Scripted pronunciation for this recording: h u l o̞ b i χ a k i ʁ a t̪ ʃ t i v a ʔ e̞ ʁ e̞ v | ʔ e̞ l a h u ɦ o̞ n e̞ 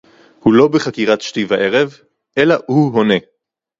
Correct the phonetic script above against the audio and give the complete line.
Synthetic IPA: h u l o̞ b e χ a k i ʁ a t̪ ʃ t i v a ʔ e̞ ʁ e̞ v | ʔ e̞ l a h u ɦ o̞ n e̞

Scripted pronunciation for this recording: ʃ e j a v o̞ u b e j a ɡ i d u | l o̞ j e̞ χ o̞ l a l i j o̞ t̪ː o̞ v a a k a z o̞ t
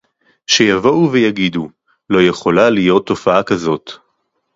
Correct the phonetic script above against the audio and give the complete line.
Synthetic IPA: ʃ e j a v o̞ u v e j a ɡ i d u | l o̞ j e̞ χ o̞ l a l i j o̞ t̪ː o̞ f a a k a z o̞ t

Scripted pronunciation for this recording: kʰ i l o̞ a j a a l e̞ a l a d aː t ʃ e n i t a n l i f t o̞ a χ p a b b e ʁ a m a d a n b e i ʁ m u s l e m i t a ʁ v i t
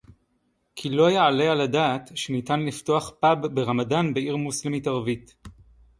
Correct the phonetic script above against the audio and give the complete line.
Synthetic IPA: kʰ i l o̞ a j a a l e̞ a l a d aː t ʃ e n i t a n l i f t o̞ a χ p a b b e ʁ a m a d a n b e i ʁ m u s l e m i t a ʁ v i t

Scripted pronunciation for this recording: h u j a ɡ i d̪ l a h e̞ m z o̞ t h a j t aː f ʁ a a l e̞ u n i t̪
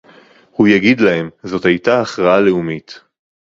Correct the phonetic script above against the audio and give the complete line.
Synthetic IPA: h u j a ɡ i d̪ l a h e̞ m z o̞ t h a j t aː χ ʁ a a l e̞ u m i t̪

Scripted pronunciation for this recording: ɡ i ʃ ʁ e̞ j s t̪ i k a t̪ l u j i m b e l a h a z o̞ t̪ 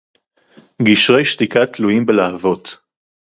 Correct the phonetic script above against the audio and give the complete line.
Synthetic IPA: ɡ i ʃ ʁ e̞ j ʃ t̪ i k a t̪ l u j i m b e l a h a v o̞ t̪

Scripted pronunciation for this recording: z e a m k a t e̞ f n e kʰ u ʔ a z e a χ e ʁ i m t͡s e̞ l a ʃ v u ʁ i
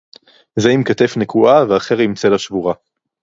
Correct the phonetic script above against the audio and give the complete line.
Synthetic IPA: z e i m k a t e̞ f n e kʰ u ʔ a v e a χ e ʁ i m t͡s e̞ l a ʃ v u ʁ a

